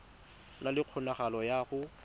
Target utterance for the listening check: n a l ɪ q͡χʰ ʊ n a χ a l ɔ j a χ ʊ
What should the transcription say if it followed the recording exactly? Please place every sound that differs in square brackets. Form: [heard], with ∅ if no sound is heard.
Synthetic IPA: n a l ɪ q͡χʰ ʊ n a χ a l ɔ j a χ ʊ